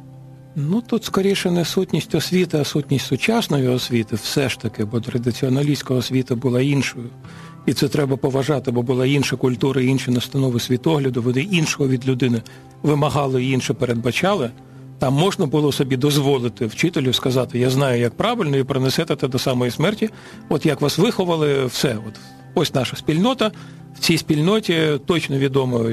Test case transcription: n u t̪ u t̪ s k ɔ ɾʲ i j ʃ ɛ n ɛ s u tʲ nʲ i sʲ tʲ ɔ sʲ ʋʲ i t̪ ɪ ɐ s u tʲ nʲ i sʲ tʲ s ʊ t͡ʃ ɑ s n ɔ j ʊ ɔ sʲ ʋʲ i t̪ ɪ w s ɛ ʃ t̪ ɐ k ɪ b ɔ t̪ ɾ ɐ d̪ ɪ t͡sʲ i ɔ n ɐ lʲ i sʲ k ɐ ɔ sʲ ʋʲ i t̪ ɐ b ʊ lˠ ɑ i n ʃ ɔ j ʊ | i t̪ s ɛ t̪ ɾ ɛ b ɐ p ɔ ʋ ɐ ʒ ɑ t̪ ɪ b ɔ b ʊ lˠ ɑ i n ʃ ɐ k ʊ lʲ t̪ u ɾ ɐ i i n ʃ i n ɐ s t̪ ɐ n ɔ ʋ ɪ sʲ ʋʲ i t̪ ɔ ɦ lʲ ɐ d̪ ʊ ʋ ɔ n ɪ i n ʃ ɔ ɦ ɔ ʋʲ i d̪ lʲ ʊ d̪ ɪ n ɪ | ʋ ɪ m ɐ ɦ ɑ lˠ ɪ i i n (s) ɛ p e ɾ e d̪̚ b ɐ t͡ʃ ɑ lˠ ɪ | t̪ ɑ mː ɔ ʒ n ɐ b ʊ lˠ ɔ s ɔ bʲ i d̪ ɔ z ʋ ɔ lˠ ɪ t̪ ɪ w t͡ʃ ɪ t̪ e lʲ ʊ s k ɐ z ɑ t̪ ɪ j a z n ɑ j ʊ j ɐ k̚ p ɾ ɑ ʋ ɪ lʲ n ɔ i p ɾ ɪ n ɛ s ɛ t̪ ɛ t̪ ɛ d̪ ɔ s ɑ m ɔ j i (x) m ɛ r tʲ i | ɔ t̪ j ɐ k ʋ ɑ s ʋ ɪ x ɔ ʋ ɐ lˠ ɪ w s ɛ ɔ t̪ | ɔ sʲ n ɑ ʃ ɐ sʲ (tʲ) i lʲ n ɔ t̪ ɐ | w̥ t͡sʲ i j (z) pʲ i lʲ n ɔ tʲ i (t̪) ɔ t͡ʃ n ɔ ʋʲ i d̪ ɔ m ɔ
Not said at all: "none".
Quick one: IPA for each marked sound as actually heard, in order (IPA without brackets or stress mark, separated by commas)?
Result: ʃ, s, pʲ, s, t̪